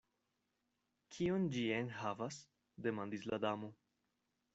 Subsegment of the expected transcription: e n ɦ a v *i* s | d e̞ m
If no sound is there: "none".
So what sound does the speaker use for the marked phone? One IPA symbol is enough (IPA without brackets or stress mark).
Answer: a